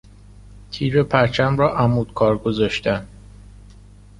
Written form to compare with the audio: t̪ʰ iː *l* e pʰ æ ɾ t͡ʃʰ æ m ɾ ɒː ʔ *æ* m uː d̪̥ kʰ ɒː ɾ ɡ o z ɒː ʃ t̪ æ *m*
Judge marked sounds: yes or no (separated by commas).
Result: no, yes, no